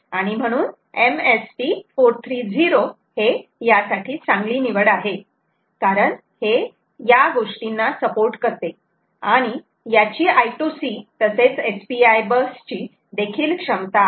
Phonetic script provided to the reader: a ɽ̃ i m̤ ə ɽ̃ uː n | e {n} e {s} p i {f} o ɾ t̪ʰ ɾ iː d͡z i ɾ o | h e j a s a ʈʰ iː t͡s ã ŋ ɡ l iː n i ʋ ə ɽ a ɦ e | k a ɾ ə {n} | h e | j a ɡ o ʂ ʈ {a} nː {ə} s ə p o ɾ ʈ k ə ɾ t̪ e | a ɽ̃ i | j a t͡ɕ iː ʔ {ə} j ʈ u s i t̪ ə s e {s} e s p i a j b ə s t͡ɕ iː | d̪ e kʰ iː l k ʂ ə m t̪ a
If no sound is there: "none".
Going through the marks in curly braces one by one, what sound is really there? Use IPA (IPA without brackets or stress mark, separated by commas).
m, s, f, ɳ, i, a, a, t͡s